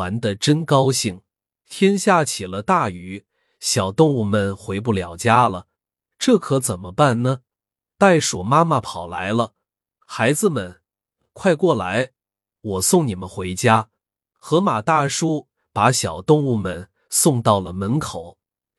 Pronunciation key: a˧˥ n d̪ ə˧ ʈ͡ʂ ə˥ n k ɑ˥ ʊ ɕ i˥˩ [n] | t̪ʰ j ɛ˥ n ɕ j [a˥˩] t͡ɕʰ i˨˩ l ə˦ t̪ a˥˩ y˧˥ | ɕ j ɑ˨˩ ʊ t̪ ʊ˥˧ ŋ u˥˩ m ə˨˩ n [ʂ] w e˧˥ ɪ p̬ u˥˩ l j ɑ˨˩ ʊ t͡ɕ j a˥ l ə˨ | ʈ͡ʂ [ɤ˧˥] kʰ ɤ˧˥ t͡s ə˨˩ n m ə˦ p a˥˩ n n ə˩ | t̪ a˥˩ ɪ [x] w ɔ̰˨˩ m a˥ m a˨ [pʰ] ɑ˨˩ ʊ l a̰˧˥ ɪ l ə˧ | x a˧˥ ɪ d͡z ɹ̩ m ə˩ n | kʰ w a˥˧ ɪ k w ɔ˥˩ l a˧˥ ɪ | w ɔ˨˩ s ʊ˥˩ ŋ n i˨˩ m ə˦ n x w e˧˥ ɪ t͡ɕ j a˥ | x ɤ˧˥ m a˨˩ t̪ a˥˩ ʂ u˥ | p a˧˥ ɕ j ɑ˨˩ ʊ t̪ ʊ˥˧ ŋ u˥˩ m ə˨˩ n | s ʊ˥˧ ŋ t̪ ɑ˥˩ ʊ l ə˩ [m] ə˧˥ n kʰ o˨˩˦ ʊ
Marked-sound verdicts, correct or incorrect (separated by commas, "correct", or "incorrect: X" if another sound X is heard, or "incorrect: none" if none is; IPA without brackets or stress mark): incorrect: ŋ, correct, incorrect: x, incorrect: ɤ˥˩, incorrect: ʂ, correct, correct